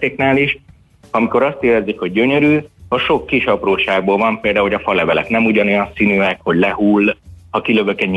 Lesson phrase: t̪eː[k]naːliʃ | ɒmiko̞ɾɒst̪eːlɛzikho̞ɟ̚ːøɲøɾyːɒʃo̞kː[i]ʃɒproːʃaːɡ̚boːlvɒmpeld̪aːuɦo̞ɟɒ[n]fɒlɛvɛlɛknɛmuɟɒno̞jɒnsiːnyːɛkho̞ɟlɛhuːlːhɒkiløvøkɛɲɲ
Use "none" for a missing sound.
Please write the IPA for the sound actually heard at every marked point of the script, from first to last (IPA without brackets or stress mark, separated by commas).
k, i, none